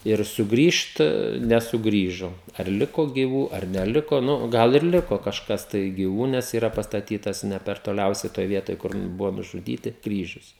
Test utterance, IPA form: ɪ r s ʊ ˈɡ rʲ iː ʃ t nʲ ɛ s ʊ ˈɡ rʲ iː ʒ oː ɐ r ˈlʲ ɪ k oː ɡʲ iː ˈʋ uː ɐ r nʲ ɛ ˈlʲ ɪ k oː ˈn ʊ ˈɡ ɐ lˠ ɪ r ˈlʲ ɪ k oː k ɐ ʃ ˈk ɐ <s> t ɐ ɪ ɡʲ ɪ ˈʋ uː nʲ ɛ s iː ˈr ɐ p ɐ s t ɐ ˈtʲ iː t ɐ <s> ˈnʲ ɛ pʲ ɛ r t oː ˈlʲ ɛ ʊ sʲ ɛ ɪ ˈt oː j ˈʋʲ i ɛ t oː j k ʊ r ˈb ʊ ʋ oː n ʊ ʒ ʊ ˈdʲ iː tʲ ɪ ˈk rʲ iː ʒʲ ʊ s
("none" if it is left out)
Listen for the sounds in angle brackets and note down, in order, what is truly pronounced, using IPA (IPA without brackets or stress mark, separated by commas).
s, s